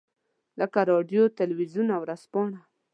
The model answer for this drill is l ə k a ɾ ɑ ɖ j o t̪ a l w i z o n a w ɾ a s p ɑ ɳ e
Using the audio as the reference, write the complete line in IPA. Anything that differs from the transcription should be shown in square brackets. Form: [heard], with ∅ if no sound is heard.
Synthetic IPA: l ə k a ɾ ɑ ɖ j o t̪ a l w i z [u] n a w ɾ a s p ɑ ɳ [a]